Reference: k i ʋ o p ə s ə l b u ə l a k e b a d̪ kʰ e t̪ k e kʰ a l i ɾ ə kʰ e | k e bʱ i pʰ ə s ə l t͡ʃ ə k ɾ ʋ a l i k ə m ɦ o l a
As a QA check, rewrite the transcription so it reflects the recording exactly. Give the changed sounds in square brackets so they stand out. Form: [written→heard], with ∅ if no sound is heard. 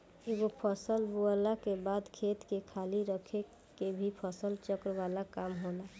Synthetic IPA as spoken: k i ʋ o [p→pʰ] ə s ə l b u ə l a k e b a d̪ kʰ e t̪ k e kʰ a l i ɾ ə kʰ e | k e bʱ i pʰ ə s ə l t͡ʃ ə k ɾ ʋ a l [i→a] k [ə→a] m ɦ o l a